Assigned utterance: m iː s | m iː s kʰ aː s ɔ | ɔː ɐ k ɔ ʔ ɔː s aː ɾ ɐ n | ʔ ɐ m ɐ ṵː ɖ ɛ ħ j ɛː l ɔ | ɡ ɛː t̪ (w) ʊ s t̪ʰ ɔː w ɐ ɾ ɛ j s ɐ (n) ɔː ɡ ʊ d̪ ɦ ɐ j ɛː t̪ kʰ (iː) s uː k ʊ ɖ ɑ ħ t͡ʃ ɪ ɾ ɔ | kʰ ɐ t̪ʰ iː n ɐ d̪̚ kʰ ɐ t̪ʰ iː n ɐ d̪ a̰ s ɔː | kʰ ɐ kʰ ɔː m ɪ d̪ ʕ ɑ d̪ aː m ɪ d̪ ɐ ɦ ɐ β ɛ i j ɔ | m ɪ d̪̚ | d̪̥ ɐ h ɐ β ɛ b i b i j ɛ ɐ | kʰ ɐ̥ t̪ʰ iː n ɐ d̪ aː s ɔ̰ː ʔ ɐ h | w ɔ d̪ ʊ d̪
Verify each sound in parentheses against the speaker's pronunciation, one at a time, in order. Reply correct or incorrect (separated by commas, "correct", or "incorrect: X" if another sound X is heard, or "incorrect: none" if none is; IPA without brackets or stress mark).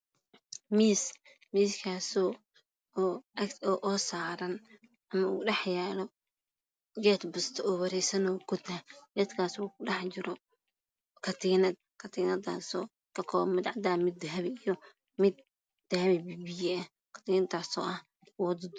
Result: incorrect: b, correct, incorrect: aː